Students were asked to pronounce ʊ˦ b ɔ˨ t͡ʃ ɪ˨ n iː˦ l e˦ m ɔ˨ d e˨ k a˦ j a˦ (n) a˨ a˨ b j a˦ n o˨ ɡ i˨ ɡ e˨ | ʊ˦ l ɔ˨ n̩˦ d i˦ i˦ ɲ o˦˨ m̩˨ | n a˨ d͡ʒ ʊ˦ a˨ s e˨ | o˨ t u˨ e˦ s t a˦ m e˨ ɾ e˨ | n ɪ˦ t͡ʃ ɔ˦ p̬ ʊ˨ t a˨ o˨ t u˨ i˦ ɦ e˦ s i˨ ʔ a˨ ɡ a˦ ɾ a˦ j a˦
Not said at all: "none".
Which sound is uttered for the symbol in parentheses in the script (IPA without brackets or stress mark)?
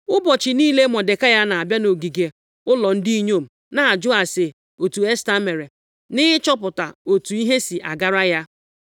n